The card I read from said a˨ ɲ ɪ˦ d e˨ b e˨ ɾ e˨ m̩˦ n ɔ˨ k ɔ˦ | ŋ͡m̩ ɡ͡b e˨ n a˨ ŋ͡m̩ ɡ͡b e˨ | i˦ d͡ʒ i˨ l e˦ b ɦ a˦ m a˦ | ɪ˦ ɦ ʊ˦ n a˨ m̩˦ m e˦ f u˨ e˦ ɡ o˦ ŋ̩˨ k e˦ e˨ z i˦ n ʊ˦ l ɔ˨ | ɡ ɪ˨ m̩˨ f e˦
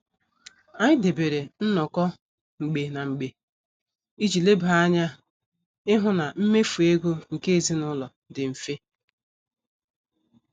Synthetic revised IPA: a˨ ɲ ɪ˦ d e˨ b e˨ ɾ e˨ n̩˦ n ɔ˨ k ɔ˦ | ŋ͡m̩ ɡ͡b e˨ n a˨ ŋ͡m̩ ɡ͡b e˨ | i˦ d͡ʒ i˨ l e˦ b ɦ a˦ ɲ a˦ | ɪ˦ ɦ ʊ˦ n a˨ m̩˦ m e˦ f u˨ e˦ ɡ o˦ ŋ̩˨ k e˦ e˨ z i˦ n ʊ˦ l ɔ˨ | d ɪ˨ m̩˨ f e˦